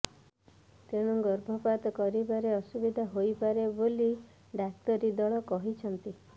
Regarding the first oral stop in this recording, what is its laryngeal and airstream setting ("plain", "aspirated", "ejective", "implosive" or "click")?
plain